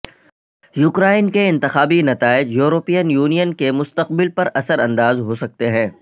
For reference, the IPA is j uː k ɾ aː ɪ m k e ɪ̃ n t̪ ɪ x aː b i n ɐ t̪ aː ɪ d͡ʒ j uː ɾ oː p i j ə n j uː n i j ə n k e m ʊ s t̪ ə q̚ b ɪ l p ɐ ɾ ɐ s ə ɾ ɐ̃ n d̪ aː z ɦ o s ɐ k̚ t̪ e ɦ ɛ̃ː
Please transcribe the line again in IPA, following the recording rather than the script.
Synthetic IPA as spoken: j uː k ɾ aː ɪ n k e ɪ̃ n t̪ ɪ x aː b i n ɐ t̪ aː ɪ d͡ʒ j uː ɾ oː p i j ə n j uː n i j ə n k e m ʊ s t̪ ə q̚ b ɪ l p ɐ ɾ ɐ s ə ɾ ɐ̃ n d̪ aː z ɦ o s ɐ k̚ t̪ e ɦ ɛ̃ː